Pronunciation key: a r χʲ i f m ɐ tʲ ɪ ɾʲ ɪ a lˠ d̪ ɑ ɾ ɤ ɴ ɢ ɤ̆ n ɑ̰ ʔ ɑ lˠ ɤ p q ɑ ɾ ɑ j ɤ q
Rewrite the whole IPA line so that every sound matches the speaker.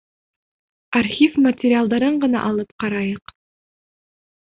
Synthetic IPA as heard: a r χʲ i f m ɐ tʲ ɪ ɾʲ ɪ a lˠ d̪ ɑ ɾ ɤ ɴ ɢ ɤ̆ n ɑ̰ ʔ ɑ lˠ ɤ p q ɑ ɾ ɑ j ɤ q